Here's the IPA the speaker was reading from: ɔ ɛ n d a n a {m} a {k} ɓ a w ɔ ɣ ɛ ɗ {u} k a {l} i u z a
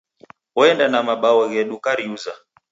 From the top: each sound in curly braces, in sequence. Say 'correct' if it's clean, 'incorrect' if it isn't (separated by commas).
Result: correct, incorrect, correct, incorrect